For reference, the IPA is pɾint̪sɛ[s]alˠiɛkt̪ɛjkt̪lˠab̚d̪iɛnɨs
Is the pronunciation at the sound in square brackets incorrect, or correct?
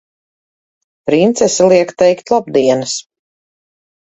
correct